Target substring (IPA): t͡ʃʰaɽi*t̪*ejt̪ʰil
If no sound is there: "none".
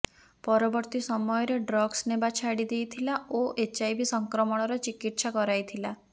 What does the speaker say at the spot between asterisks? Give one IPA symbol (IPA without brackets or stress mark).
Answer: d̪